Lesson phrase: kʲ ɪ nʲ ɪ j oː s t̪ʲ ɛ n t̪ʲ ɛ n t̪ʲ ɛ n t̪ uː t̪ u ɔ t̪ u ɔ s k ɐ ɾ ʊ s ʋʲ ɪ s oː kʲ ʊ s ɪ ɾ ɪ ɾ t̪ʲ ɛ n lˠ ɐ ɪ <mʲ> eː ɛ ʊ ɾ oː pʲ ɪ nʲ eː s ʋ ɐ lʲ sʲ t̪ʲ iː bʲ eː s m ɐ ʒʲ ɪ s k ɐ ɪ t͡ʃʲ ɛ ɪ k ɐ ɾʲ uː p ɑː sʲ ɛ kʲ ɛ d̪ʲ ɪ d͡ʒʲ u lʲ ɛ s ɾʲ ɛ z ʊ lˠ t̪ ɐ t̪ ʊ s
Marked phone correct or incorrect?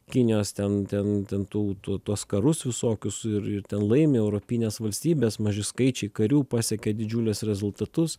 correct